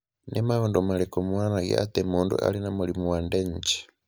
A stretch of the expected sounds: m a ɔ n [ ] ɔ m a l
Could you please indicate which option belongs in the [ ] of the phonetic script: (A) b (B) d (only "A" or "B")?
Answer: B